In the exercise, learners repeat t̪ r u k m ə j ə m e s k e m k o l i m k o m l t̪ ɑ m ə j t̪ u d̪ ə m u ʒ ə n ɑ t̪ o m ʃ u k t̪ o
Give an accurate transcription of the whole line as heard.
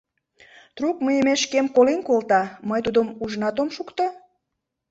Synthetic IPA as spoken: t̪ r u k m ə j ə m e ʃ k e m k o l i n k o l t̪ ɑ m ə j t̪ u d̪ ə m u ʒ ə n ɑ t̪ o m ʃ u k t̪ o